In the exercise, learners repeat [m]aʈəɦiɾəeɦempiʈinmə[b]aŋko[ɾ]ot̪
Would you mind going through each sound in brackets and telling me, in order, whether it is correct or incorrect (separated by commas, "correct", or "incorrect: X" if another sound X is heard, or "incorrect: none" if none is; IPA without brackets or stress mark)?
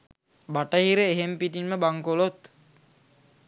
incorrect: b, correct, incorrect: l